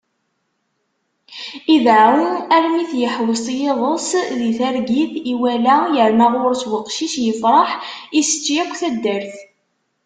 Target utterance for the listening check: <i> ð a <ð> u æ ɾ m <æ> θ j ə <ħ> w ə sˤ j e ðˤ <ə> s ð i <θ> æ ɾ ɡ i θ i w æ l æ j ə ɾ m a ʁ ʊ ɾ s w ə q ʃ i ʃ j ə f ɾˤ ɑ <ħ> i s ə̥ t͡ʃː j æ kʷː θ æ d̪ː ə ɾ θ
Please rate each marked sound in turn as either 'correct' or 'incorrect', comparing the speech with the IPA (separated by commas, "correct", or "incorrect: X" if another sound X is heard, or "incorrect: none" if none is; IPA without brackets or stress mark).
correct, incorrect: none, incorrect: i, correct, correct, correct, correct